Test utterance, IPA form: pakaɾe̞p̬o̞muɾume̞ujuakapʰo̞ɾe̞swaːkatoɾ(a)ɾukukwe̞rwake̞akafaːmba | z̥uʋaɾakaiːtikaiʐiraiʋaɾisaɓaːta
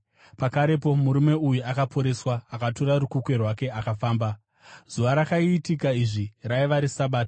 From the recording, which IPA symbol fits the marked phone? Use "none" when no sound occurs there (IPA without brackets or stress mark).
a